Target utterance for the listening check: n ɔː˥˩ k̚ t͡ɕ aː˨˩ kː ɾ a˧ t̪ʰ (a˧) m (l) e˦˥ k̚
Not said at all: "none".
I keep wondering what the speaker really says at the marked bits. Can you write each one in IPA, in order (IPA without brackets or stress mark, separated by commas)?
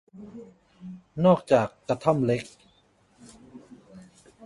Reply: a˥˩, l